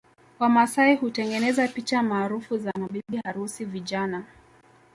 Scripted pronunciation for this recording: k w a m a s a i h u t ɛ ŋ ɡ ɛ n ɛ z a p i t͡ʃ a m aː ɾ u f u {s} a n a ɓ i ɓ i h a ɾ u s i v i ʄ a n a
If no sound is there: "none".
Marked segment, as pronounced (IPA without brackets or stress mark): z